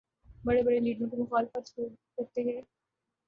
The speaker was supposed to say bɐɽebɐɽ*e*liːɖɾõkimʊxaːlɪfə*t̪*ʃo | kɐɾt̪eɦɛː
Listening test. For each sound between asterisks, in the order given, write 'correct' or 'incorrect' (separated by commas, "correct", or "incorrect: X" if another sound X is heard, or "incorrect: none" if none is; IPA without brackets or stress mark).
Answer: correct, correct